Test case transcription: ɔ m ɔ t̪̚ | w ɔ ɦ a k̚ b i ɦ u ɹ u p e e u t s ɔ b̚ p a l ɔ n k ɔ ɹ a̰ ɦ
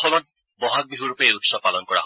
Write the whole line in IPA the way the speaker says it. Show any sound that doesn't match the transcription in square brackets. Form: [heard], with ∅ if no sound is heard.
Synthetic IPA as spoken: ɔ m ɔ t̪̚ | [b] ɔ ɦ a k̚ b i ɦ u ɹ u p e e u t s ɔ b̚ p a l ɔ n k ɔ ɹ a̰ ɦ